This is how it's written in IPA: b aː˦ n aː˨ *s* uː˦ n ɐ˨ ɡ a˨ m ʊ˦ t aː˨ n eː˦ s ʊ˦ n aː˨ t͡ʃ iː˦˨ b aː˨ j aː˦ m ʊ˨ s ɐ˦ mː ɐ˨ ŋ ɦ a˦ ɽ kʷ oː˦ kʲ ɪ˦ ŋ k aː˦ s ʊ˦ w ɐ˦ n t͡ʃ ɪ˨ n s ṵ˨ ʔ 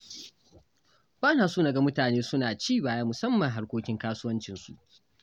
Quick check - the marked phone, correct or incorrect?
correct